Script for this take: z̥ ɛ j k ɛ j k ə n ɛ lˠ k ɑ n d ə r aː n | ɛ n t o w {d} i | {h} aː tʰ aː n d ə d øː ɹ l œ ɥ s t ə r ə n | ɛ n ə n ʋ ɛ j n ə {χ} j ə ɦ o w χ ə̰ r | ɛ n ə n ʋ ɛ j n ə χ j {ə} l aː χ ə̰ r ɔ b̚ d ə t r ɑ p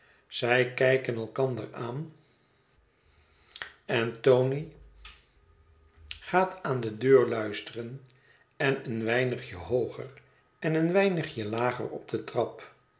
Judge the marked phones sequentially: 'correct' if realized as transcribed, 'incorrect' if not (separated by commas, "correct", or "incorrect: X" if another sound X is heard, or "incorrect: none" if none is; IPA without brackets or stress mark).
incorrect: n, incorrect: χ, correct, correct